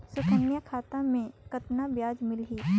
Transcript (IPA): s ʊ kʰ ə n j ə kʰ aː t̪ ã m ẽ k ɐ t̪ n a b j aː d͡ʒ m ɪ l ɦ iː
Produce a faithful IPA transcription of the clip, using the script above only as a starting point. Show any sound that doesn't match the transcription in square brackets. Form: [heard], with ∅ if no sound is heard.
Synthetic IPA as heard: s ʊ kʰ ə n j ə kʰ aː t̪ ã m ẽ k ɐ t̪ n a b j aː d͡ʒ m ɪ l ɦ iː